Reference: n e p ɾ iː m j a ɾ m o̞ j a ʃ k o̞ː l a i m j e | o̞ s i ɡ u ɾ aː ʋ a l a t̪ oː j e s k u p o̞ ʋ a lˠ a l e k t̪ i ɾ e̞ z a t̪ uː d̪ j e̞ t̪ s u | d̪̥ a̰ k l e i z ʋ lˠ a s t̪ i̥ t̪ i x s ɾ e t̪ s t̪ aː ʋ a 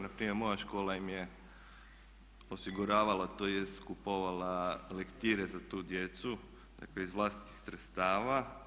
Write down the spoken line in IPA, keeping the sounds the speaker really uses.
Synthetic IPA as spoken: n a p ɾ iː m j e ɾ m o̞ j a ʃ k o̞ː l a i m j e | o̞ s i ɡ u ɾ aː ʋ a l a t̪ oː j e s k u p o̞ ʋ a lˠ a l e k t̪ i ɾ e̞ z a t̪ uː d̪ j e̞ t̪ s u | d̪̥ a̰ k l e i z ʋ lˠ a s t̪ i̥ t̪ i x s ɾ e t̪ s t̪ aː ʋ a